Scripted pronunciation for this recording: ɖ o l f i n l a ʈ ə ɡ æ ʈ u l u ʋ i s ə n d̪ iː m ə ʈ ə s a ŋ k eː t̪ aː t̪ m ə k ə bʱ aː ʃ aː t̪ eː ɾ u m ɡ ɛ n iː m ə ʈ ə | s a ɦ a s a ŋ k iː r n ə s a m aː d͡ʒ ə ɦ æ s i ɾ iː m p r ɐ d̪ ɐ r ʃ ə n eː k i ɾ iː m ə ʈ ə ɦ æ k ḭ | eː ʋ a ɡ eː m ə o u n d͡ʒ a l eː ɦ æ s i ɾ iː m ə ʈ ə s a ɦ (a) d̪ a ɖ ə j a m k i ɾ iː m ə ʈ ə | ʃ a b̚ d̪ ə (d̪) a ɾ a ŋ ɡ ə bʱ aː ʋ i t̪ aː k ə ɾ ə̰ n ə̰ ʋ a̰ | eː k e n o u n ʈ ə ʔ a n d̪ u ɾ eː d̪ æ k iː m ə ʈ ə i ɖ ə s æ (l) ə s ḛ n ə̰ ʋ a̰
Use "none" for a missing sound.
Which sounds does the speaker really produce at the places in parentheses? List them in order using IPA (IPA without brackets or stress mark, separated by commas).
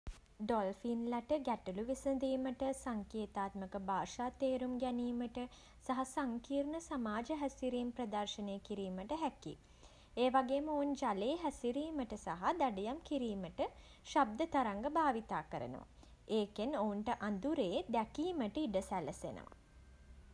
a, t̪, l